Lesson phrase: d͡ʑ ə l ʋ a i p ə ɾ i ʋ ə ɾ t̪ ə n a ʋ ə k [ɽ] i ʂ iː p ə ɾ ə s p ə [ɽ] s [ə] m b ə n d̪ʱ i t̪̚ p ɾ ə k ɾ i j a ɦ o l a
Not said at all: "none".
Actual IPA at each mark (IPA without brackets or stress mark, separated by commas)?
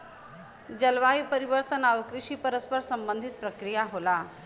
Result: ɾ, ɾ, ə